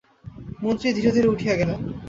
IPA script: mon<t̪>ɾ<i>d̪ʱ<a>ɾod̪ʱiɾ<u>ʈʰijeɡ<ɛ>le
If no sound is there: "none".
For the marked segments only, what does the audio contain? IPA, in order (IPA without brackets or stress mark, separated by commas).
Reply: t̪, i, i, u, ɛ